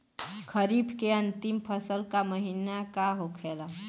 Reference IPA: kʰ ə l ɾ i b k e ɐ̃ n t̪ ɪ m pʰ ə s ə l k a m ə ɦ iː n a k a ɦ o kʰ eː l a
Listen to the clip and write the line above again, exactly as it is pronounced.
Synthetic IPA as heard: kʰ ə ɾ i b k e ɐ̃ n t̪ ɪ m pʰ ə s ə l k a m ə ɦ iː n a k a ɦ o kʰ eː l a